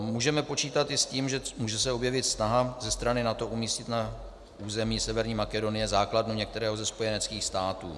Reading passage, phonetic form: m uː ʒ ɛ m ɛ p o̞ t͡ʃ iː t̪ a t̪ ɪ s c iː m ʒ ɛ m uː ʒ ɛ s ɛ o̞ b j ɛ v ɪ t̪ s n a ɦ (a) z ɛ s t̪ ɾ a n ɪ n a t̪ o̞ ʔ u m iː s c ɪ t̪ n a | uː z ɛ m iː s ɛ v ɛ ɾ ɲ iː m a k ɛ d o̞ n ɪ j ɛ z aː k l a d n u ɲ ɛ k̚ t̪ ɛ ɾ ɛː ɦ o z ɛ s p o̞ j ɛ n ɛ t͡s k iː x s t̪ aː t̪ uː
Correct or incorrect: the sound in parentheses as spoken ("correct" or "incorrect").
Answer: correct